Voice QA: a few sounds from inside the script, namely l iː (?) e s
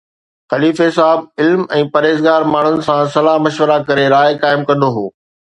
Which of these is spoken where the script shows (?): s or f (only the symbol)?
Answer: f